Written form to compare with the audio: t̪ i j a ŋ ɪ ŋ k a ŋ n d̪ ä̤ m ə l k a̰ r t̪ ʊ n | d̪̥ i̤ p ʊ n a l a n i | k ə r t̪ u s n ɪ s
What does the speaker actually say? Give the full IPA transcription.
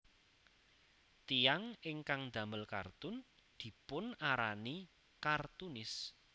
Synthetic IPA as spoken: t̪ i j a ŋ ɪ ŋ k a ŋ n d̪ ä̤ m ə l k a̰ r t̪ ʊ n | d̪̥ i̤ p ʊ n a ɾ a n i | k a r t̪ u n ɪ s